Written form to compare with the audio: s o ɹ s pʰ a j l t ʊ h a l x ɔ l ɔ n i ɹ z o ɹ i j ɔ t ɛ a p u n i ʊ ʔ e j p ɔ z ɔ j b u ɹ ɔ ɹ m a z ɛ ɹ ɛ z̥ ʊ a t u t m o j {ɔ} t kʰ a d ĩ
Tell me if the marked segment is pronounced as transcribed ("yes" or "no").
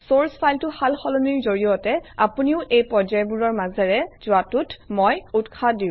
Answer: no